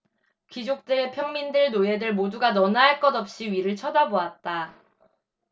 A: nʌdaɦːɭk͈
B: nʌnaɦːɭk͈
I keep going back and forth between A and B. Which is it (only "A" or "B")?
B